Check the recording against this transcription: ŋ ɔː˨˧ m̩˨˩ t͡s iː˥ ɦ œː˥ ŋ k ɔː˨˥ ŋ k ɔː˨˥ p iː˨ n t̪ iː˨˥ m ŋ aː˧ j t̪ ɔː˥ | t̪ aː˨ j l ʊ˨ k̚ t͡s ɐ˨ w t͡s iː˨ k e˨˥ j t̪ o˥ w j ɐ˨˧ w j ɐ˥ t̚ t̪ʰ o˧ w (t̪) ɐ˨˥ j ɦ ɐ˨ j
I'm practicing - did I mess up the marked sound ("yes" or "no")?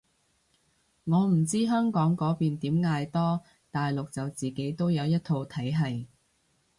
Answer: yes